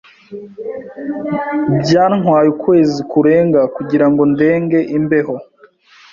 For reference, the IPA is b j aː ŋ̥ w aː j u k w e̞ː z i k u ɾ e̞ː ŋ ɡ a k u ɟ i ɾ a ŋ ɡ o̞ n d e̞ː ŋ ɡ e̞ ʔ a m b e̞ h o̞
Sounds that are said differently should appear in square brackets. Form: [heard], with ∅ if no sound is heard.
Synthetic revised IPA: b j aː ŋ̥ w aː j u k w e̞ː z i k u ɾ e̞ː ŋ ɡ a k u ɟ i ɾ a ŋ ɡ o̞ n d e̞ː ŋ ɡ e̞ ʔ [i] m b e̞ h o̞